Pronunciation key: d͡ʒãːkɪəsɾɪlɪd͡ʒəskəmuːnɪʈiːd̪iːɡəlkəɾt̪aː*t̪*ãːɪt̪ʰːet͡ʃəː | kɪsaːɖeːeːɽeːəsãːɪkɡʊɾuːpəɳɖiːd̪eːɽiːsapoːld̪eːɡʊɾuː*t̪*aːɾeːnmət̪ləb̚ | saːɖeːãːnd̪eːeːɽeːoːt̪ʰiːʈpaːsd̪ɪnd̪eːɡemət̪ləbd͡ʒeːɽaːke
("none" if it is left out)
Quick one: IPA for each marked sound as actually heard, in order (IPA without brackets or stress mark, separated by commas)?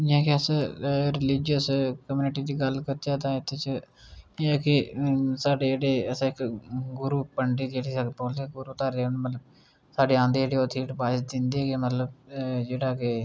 t̪, t̪